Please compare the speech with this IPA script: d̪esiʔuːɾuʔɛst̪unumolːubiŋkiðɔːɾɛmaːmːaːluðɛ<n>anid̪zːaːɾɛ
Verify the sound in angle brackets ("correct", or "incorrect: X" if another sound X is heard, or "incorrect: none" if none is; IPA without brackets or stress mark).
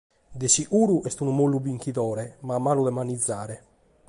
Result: incorrect: m